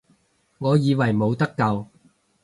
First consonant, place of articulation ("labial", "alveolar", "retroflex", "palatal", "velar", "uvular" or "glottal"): velar